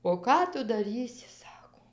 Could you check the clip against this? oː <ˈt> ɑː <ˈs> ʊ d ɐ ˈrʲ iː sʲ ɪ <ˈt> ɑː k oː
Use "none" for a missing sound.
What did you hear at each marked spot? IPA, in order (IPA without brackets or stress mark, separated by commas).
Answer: k, t, s